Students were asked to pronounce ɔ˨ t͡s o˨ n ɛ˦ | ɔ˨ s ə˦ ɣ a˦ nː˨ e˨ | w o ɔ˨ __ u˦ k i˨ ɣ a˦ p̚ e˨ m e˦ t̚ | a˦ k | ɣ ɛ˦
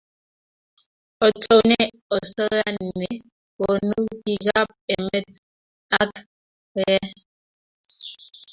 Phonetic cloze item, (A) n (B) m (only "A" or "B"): A